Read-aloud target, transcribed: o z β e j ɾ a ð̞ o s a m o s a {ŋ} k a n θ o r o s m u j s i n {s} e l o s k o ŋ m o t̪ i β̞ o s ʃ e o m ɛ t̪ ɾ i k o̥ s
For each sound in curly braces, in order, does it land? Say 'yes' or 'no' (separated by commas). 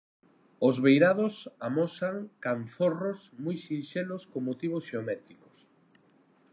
yes, no